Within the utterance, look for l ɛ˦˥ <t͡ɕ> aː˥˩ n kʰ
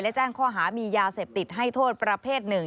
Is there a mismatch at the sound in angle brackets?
no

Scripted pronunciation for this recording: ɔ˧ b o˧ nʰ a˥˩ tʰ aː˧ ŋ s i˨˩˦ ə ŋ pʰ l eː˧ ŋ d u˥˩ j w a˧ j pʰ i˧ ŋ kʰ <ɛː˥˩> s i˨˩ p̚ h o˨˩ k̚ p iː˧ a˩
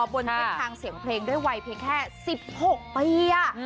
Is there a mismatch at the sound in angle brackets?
no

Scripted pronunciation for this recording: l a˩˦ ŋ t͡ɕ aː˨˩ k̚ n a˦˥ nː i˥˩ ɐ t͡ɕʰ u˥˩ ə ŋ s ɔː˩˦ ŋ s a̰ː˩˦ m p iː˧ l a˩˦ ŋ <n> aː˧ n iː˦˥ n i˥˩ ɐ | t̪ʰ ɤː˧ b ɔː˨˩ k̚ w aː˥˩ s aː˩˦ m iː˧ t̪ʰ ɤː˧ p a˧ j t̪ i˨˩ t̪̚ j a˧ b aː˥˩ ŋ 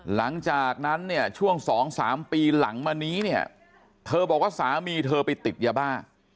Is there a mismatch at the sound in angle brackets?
yes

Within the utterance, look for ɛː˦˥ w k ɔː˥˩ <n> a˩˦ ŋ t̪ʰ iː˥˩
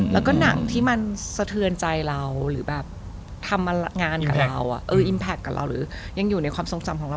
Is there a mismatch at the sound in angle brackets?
no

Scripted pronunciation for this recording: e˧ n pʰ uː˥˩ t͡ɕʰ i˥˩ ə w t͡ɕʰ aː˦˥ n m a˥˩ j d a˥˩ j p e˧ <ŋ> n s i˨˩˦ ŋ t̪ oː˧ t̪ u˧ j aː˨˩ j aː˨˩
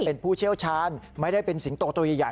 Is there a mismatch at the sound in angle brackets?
yes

